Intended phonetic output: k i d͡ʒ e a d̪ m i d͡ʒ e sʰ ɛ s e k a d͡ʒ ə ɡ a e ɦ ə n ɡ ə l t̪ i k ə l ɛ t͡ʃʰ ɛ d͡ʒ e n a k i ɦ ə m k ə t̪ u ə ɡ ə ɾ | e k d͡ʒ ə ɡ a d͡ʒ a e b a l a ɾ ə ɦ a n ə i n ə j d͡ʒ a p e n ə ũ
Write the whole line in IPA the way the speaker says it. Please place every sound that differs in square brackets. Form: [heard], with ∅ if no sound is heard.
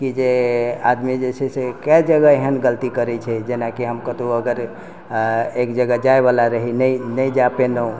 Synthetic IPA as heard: k i d͡ʒ e a d̪ m i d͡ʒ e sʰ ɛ s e k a d͡ʒ ə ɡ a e ɦ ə n ɡ ə l t̪ i k ə [ɾ] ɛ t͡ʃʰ ɛ d͡ʒ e n a k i ɦ ə m k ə t̪ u ə ɡ ə ɾ | e k d͡ʒ ə ɡ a d͡ʒ a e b a l a ɾ ə ɦ [i] n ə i n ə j d͡ʒ a p e n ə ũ

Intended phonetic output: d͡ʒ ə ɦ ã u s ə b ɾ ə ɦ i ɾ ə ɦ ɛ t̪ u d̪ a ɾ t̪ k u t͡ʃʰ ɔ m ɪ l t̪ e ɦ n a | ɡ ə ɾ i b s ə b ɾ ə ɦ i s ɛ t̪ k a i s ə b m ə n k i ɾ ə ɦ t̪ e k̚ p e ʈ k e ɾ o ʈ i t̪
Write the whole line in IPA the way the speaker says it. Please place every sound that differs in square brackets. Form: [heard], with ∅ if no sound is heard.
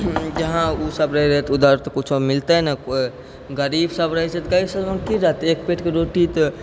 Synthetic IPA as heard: d͡ʒ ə ɦ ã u s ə b ɾ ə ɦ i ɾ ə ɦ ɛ t̪ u d̪ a ɾ t̪ k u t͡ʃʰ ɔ m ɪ l t̪ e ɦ n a | ɡ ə ɾ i b s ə b ɾ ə ɦ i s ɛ t̪ k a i s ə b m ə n k i ɾ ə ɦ t̪ e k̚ p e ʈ k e ɾ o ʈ i t̪

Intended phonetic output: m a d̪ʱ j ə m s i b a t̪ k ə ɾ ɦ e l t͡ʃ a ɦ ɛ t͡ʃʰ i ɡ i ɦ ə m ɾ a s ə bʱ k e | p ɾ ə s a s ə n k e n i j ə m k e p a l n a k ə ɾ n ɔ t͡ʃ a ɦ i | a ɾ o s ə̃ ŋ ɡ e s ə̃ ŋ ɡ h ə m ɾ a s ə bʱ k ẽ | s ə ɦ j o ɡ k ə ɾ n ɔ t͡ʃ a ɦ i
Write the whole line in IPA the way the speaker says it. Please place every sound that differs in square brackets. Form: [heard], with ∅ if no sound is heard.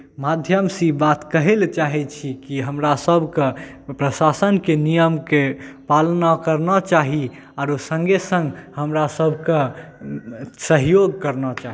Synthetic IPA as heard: m a d̪ʱ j ə m s i b a t̪ k ə [∅] ɦ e l t͡ʃ a ɦ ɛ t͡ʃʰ i [k] i ɦ ə m ɾ a s ə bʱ k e | p ɾ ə s a s ə n k e n i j ə m k e p a l n a k ə ɾ n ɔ t͡ʃ a ɦ i | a ɾ o s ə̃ ŋ ɡ e s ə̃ ŋ ɡ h ə m ɾ a s ə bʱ k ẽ | s ə ɦ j o ɡ k ə ɾ n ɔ t͡ʃ a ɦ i

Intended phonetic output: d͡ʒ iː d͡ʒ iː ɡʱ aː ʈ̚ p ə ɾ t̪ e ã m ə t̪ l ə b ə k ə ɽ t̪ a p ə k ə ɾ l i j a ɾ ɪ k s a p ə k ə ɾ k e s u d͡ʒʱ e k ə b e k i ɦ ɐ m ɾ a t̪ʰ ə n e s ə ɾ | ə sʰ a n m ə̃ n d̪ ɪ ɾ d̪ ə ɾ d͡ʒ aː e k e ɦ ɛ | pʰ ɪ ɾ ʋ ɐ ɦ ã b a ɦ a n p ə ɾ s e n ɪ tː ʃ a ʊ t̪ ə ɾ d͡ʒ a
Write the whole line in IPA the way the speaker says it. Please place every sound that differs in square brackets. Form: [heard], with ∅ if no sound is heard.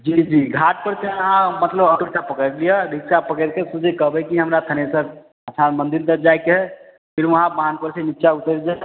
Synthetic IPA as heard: d͡ʒ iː d͡ʒ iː ɡʱ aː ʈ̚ p ə ɾ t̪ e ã m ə t̪ l ə b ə k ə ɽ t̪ a p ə k ə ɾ l i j a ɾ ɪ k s a p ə k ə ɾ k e s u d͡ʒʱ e k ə b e k i ɦ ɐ m ɾ a t̪ʰ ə n e s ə ɾ | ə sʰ a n m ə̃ n d̪ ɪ ɾ d̪ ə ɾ d͡ʒ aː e k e ɦ ɛ | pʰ ɪ ɾ ʋ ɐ ɦ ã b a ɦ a n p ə ɾ s e n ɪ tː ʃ a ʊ t̪ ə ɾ d͡ʒ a

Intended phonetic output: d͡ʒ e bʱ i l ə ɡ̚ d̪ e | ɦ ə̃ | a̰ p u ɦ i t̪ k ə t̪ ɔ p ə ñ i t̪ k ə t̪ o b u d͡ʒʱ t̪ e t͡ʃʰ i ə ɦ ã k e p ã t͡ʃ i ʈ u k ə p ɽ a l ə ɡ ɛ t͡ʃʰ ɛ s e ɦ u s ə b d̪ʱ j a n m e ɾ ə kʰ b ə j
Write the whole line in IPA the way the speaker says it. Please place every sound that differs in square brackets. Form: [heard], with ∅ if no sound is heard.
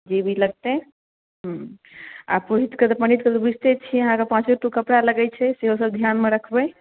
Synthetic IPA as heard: d͡ʒ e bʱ i l ə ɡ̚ [t̪] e | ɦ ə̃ | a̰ p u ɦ i t̪ k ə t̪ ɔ p ə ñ i t̪ k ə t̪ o b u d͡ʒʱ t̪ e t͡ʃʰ i ə ɦ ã k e p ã t͡ʃ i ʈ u k ə p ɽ a l ə ɡ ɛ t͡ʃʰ ɛ s e ɦ [o] s ə b d̪ʱ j a n m e ɾ ə kʰ b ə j

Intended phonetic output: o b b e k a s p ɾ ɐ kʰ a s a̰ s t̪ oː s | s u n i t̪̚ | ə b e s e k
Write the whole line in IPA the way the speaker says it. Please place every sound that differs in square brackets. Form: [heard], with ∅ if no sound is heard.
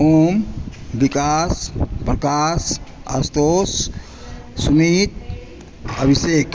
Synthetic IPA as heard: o [m] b [i] k a s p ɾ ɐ [k] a s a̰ s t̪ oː s | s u [m] i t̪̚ | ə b [i] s e k

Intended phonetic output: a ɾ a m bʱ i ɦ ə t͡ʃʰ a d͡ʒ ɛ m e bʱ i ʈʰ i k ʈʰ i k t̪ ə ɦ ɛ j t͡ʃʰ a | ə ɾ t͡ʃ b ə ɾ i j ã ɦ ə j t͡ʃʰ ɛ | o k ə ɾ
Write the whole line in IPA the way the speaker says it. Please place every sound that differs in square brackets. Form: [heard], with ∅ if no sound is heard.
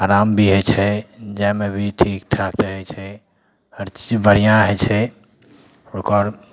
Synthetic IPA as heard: a ɾ a m bʱ i ɦ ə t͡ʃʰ [ɛ] d͡ʒ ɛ m e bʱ i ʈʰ i k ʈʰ [a] k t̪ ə ɦ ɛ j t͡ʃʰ [ɛ] | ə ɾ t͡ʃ b ə ɾ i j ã ɦ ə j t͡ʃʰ ɛ | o k ə ɾ

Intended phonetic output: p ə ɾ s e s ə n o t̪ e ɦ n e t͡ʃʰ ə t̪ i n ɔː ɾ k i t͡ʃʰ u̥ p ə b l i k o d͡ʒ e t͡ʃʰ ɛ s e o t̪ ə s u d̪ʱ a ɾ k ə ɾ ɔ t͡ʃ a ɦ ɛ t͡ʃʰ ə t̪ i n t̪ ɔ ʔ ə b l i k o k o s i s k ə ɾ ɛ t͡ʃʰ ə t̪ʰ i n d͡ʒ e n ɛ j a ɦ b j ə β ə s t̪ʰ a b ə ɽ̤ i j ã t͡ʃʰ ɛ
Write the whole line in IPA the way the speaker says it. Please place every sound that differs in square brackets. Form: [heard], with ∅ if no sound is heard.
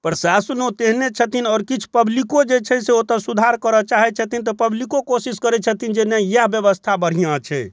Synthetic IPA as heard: p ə ɾ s [a] s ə n o t̪ e ɦ n e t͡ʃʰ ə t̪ i n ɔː ɾ k i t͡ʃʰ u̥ p ə b l i k o d͡ʒ e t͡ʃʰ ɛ s e o t̪ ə s u d̪ʱ a ɾ k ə ɾ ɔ t͡ʃ a ɦ ɛ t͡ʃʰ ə t̪ i n t̪ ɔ [p] ə b l i k o k o s i s k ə ɾ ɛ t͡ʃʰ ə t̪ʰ i n d͡ʒ e n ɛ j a ɦ b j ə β ə s t̪ʰ a b ə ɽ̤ i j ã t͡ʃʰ ɛ

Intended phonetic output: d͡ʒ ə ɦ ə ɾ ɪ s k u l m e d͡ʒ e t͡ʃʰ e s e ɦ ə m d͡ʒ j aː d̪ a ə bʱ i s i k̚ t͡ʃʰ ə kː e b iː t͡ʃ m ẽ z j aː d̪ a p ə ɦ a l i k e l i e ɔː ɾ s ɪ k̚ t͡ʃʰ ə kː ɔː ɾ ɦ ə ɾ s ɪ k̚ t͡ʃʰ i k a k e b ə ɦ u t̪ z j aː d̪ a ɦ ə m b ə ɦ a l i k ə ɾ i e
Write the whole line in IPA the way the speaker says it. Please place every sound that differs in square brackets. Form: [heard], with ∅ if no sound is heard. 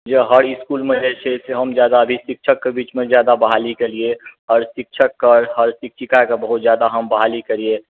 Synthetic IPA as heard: d͡ʒ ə ɦ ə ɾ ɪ s k u l m e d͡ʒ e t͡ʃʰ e s e ɦ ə m d͡ʒ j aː d̪ a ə bʱ i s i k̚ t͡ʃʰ ə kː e b iː t͡ʃ m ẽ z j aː d̪ a [b] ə ɦ a l i k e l i e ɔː ɾ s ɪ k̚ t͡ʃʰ ə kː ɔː ɾ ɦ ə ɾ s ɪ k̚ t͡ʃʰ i k a k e b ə ɦ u t̪ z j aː d̪ a ɦ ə m b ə ɦ a l i k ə ɾ i e

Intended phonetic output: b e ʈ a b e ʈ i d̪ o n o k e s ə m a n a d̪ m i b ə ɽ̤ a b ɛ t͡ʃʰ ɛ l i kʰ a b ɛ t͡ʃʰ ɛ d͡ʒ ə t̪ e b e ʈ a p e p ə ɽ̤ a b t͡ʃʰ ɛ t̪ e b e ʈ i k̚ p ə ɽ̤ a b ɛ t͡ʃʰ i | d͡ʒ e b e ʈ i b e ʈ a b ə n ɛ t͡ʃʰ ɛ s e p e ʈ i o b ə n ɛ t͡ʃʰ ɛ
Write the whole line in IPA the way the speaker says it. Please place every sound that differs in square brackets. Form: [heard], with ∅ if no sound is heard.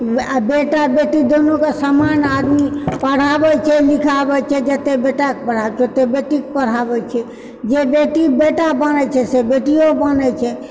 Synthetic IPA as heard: b e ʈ a b e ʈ i d̪ o n o k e s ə m a n a d̪ m i [p] ə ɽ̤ a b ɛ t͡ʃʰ ɛ l i kʰ a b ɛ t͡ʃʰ ɛ d͡ʒ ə t̪ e b e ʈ a [k] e p ə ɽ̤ a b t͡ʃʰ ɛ t̪ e b e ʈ i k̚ p ə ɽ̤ a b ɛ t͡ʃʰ [ɛ] | d͡ʒ e b e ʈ i b e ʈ a b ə n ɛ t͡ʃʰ ɛ s e [b] e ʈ i o b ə n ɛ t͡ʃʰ ɛ

